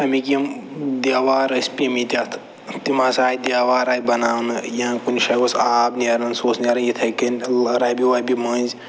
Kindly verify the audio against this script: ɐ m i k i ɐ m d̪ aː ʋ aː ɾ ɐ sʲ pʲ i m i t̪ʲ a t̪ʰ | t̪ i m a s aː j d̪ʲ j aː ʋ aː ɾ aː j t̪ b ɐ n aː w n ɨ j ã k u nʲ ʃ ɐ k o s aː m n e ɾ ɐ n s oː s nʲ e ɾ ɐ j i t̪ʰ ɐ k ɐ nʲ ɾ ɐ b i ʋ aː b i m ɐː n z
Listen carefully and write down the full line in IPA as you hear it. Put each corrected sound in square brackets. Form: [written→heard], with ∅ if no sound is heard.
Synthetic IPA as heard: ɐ m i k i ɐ m d̪ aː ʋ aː ɾ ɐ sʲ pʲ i m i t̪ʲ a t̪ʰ | t̪ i m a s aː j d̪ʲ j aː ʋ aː ɾ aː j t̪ b ɐ n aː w n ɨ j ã k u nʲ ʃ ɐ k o s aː [m→b] n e ɾ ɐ n s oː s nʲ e ɾ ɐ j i t̪ʰ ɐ k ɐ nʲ ɾ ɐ b i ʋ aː b i m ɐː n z